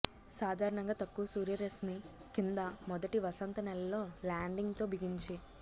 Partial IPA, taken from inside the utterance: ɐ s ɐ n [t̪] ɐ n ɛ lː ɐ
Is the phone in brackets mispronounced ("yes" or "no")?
no